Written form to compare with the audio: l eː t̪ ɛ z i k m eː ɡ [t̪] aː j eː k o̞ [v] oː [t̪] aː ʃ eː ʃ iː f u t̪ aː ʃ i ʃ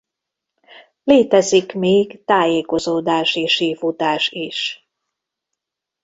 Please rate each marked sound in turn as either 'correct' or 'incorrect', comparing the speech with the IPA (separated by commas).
correct, incorrect, incorrect